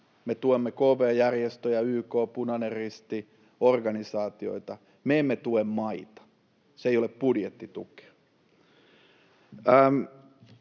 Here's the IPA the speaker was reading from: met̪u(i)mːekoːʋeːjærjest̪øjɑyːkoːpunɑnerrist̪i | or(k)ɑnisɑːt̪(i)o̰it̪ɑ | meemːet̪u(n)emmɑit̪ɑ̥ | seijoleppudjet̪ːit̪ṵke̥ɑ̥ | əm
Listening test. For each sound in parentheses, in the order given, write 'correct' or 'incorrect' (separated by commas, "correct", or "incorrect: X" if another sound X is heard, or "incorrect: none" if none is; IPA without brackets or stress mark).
incorrect: e, incorrect: ɡ, correct, incorrect: none